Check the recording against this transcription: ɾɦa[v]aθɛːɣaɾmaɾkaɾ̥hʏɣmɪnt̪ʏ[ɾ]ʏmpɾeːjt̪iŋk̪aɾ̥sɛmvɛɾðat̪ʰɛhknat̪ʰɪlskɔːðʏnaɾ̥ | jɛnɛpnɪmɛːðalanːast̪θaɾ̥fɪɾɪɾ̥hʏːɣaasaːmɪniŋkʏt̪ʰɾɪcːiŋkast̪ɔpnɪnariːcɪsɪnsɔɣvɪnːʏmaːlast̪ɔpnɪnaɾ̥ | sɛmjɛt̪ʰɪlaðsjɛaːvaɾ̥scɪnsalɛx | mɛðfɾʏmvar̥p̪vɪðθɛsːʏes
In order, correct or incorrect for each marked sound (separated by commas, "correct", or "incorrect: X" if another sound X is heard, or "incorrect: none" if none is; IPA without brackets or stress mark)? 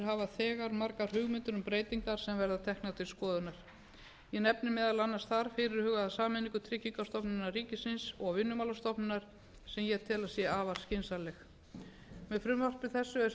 correct, correct